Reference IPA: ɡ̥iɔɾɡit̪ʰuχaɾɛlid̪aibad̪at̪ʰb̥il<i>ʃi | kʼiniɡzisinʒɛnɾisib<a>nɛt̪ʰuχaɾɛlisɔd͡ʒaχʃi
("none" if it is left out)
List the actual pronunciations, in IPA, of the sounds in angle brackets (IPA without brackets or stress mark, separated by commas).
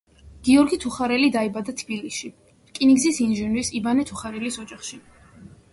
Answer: i, a